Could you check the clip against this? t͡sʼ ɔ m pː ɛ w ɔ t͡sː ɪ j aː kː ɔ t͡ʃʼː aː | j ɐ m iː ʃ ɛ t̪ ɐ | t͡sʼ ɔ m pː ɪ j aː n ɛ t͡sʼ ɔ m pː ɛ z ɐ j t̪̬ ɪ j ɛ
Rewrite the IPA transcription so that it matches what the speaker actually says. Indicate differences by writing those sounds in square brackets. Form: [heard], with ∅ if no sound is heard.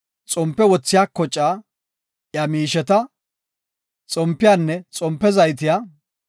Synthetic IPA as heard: t͡sʼ ɔ m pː ɛ w ɔ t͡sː ɪ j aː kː ɔ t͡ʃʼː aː | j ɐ m iː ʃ ɛ t̪ ɐ | t͡sʼ ɔ m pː ɪ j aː [nː] ɛ t͡sʼ ɔ m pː ɛ z ɐ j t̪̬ ɪ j [a]